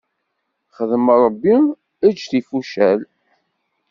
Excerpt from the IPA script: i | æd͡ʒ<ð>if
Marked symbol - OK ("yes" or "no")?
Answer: no